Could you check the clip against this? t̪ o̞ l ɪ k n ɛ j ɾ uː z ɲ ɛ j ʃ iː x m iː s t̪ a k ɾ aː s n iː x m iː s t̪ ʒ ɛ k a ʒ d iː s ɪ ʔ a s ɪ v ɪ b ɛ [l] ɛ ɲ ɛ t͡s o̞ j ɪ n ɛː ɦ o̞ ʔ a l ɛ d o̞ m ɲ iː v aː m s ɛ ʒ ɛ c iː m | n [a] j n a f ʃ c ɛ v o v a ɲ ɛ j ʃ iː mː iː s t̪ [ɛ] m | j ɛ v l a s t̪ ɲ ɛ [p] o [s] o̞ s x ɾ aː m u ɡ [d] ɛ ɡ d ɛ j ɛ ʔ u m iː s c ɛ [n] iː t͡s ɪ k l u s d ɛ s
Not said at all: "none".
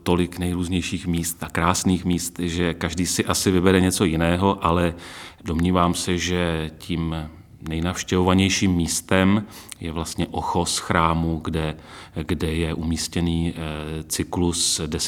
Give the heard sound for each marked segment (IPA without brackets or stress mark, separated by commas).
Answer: ɾ, ɛ, ɛ, ʔ, x, d, n